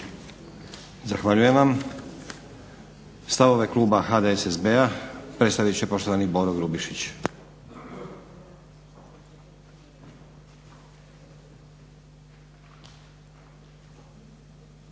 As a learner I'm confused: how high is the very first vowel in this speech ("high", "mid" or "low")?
low